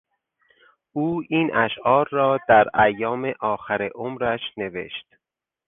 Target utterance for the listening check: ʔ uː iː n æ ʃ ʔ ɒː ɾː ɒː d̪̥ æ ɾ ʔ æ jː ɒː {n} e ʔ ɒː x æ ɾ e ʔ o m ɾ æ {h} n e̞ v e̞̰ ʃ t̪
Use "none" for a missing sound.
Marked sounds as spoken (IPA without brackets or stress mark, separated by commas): m, ʃ